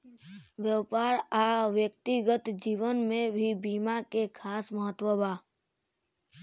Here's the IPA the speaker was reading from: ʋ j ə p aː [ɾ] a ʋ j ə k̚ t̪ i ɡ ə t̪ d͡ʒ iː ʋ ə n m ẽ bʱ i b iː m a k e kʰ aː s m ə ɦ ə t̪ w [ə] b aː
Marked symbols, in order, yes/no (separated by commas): yes, yes